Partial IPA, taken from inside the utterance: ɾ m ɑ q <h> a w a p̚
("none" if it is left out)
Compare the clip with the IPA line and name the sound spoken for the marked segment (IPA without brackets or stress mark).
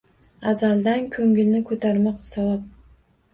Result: s